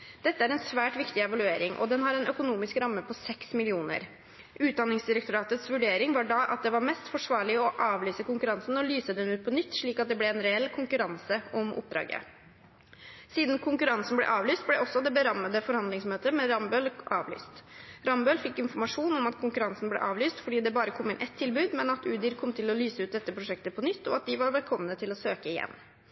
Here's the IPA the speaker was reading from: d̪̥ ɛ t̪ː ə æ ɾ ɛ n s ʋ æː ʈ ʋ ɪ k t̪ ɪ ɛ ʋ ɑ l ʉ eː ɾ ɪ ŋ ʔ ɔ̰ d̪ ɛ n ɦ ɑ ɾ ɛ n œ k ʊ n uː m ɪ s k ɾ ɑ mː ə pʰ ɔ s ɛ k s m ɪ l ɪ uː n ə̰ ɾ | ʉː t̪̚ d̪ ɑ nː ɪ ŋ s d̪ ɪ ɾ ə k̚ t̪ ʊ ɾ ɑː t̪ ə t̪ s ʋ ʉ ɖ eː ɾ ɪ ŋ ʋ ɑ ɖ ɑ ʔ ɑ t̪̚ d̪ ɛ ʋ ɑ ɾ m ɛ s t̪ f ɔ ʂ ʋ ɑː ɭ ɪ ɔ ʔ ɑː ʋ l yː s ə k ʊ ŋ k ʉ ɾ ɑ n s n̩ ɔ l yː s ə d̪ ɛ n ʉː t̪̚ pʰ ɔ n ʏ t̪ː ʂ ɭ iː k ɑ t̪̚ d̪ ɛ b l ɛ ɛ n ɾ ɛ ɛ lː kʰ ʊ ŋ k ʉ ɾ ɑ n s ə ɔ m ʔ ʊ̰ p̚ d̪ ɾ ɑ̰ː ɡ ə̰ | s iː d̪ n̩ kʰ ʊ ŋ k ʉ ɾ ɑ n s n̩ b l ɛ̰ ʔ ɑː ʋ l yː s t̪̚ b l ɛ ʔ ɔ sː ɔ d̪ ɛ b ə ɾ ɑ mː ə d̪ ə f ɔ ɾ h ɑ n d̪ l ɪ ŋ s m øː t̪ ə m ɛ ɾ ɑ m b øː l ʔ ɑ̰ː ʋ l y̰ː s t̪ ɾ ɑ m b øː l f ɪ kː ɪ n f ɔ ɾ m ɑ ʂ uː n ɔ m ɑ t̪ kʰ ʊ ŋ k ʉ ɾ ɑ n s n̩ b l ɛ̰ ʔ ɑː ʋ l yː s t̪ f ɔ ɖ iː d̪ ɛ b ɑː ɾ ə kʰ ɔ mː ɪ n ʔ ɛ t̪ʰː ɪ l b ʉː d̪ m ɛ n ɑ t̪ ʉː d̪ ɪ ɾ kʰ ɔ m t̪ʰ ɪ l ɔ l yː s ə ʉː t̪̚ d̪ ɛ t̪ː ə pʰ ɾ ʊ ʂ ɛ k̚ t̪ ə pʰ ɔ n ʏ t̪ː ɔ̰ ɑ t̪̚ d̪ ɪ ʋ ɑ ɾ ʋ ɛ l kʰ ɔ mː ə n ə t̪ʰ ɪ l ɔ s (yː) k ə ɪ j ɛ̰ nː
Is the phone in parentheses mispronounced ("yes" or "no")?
yes